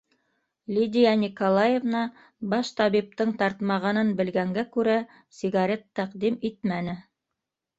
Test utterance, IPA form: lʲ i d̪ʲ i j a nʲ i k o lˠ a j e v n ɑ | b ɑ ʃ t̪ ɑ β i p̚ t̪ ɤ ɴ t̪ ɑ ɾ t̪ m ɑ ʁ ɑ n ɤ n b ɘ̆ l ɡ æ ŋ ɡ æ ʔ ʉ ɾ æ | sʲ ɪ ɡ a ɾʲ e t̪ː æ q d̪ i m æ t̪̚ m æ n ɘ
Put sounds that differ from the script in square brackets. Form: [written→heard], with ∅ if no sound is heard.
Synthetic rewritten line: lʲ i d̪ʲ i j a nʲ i k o lˠ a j e v n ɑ | b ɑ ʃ t̪ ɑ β i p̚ t̪ ɤ ɴ t̪ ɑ ɾ t̪ m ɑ ʁ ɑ n ɤ n b ɘ̆ l ɡ æ ŋ ɡ æ [ʔ→k] ʉ ɾ æ | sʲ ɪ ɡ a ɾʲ e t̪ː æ q d̪ i m [æ→i] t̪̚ m æ n ɘ